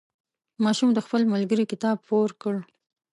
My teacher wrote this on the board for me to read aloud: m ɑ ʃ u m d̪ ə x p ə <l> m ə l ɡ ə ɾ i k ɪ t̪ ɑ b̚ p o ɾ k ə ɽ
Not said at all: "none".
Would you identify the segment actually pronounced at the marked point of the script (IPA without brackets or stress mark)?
l